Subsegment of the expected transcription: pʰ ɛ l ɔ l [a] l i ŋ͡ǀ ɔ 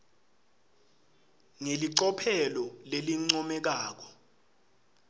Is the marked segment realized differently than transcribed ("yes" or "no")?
yes